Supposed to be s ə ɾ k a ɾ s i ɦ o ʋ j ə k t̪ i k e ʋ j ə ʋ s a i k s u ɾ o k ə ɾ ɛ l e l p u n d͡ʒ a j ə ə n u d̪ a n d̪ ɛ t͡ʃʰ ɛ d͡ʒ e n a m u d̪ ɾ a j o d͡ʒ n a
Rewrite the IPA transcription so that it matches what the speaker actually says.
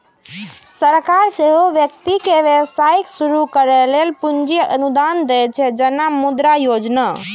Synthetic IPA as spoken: s ə ɾ k a ɾ s e ɦ o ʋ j ə k t̪ i k e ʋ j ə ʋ s a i k s u ɾ u k ə ɾ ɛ l e l p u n d͡ʒ i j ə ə n u d̪ a n d̪ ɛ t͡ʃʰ ɛ d͡ʒ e n a m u d̪ ɾ a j o d͡ʒ n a